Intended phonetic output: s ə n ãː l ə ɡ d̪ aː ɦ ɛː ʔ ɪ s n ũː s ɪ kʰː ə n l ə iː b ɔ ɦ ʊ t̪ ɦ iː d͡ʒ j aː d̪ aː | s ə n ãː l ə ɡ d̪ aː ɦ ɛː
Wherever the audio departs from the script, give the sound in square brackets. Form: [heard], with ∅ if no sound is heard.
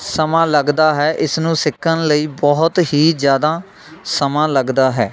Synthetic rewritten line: s ə [m] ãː l ə ɡ d̪ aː ɦ ɛː ʔ ɪ s n ũː s ɪ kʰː ə n l ə iː b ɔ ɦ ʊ t̪ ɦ iː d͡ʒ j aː d̪ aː | s ə [m] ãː l ə ɡ d̪ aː ɦ ɛː